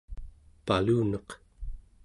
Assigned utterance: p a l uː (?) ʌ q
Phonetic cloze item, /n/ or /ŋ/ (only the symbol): n